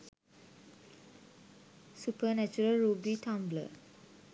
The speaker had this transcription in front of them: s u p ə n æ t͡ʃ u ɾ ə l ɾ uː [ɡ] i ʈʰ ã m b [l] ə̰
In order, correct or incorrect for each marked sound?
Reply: incorrect: b, correct

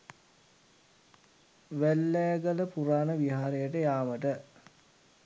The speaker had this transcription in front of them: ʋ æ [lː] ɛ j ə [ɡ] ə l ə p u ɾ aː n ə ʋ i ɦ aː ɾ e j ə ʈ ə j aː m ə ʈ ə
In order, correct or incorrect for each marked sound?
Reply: correct, correct

